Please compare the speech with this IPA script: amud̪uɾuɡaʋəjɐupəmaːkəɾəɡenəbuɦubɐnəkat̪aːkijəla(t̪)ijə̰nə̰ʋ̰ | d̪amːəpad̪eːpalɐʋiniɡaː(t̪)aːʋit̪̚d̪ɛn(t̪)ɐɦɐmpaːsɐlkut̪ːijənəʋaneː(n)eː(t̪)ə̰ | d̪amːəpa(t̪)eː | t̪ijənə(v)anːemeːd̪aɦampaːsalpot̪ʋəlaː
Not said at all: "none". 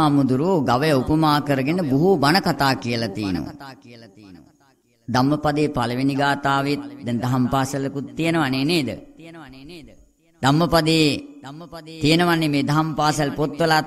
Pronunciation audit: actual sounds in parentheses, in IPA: t̪, t̪, d̪, n, d̪, d̪, ʋ

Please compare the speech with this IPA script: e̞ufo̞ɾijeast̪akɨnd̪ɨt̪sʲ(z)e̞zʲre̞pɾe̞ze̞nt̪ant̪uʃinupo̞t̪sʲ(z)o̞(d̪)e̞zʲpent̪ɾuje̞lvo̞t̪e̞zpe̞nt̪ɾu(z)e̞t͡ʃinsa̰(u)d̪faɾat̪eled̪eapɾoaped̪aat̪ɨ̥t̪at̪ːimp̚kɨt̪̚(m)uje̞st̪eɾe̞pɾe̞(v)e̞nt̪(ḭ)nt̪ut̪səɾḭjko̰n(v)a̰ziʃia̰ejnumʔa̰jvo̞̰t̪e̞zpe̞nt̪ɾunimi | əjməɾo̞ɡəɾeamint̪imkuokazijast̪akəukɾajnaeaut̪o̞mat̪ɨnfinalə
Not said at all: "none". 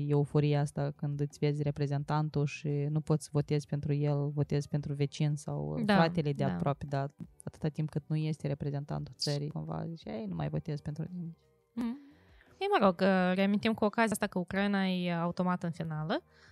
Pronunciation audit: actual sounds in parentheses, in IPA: v, v, t̪, v, w, n, z, a̰, v

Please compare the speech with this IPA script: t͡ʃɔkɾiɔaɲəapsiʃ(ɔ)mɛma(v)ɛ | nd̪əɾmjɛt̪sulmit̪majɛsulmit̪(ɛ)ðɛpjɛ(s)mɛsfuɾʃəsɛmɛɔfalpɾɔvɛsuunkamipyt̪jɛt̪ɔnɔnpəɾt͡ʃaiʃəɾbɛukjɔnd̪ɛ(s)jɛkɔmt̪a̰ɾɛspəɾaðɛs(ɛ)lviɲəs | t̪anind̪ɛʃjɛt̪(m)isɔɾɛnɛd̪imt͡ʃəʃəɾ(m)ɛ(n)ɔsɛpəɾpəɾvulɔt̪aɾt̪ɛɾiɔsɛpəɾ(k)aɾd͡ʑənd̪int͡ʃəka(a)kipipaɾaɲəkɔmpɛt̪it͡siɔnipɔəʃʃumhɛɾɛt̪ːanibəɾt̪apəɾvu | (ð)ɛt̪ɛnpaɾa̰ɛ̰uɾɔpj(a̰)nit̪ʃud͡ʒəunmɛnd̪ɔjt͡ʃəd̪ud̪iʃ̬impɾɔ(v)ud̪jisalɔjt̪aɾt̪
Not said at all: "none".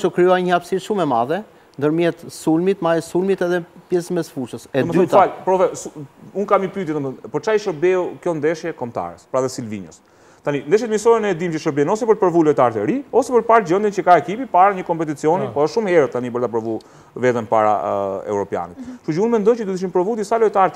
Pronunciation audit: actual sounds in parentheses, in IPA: u, ð, ɛ, s, ʃ, i, m, b, n, p, ɛ, v, a̰, v

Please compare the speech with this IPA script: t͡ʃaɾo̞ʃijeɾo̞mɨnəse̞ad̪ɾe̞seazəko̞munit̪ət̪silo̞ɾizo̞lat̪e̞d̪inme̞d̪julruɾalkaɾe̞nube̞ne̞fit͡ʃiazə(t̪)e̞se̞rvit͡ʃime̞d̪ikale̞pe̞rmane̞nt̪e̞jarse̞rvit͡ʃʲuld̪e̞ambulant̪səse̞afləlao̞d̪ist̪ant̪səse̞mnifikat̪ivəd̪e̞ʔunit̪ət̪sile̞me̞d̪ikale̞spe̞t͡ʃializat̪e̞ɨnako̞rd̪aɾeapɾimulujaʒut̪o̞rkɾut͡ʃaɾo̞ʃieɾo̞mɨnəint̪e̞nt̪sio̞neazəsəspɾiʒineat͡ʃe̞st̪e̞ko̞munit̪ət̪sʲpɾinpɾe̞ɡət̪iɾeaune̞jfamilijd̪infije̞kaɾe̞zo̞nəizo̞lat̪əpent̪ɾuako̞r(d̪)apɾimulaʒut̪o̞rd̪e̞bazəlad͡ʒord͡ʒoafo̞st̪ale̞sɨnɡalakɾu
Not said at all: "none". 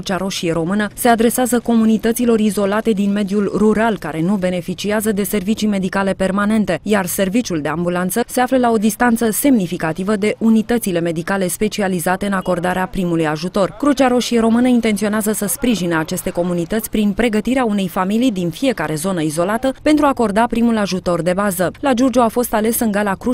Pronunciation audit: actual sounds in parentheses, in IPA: d̪, d̪

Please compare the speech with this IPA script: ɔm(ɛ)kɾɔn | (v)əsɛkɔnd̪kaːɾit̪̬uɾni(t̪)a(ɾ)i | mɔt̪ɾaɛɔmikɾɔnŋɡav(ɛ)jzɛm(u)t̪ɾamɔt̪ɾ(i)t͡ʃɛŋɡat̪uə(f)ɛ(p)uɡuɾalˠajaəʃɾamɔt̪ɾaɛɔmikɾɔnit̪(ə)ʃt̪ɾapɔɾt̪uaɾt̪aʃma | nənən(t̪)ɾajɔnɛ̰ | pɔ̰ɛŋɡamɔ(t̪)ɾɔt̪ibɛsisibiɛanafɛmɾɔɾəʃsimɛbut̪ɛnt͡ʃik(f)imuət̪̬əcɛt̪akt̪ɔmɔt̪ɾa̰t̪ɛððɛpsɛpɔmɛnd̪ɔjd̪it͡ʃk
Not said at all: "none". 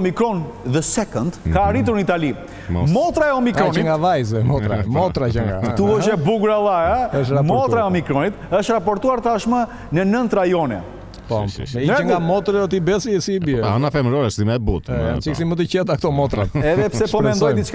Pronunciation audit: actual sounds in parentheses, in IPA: i, ð, t̪, l, a, ɔ, a, ʃ, b, ə, t̪, t̪, s

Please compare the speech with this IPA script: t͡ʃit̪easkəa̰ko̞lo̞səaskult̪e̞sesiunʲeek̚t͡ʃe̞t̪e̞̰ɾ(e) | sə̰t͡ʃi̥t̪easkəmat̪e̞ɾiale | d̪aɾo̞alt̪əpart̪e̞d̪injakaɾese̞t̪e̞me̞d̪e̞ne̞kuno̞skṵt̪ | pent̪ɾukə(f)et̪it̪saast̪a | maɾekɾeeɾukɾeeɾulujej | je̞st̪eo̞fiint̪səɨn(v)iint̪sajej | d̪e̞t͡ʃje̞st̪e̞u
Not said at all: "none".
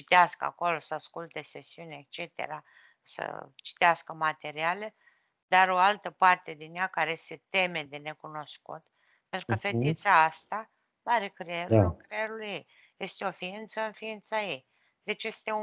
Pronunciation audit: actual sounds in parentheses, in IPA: a, f, f

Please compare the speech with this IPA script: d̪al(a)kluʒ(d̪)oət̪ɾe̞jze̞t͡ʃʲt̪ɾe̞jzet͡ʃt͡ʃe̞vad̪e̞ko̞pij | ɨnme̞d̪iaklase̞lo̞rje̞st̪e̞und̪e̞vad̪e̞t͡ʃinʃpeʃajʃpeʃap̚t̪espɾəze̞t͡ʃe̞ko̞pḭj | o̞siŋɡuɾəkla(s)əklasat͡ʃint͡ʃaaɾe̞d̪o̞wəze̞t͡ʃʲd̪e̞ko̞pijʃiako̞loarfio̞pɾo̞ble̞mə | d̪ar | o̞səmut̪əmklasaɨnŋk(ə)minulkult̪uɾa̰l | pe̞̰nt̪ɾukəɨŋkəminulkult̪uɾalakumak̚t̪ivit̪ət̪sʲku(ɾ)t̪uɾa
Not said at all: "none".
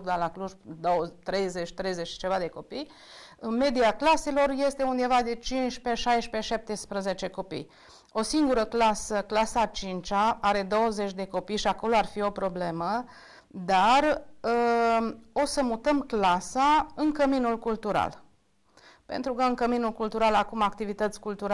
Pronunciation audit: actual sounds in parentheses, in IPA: a, d̪, s, ə, l

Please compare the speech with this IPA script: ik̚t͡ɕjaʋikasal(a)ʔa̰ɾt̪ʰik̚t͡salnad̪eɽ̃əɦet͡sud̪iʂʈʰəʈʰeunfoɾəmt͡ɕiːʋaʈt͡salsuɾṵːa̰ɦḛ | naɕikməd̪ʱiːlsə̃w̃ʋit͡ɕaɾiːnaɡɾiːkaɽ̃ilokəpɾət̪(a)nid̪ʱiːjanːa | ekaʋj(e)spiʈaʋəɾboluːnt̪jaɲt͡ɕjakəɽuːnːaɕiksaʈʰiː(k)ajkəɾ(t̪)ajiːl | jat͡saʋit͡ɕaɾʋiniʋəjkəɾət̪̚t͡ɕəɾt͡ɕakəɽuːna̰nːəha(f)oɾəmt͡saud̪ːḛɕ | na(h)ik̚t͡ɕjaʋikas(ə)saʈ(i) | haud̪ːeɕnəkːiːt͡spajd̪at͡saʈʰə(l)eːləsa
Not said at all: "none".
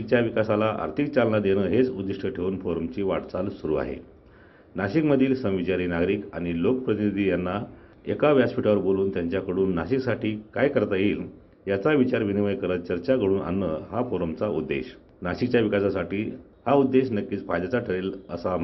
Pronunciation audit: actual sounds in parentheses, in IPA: a, i, a, k, t̪, f, ɕ, a, iː, ɾ

